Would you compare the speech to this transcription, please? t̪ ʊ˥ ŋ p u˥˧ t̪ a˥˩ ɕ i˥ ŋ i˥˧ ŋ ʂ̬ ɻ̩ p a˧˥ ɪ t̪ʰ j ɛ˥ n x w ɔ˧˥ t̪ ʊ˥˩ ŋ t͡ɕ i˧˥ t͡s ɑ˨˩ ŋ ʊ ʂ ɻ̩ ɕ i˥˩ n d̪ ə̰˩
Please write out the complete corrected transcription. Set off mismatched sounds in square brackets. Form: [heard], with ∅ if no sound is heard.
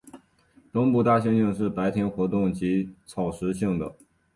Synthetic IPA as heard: t̪ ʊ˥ ŋ p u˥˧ t̪ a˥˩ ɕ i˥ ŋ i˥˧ ŋ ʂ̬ ɻ̩ p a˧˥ ɪ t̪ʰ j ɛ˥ n x w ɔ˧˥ t̪ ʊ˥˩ ŋ t͡ɕ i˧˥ [t͡sʰ] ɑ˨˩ [∅] ʊ ʂ ɻ̩ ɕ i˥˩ [ŋ] d̪ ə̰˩